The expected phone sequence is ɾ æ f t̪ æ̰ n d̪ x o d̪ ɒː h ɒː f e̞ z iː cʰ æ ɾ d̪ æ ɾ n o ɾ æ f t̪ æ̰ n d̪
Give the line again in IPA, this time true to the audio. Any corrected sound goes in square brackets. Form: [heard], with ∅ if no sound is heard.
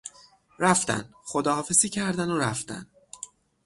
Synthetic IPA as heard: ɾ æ f t̪ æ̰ n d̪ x o d̪ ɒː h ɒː f e̞ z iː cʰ æ ɾ d̪ æ [∅] n o ɾ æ f t̪ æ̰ n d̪